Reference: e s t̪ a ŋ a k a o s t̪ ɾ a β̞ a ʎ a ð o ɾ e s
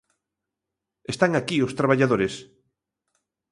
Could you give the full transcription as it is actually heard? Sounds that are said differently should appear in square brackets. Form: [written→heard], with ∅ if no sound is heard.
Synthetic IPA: e s t̪ a ŋ a k [a→i] o s t̪ ɾ a β̞ a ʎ a ð o ɾ e s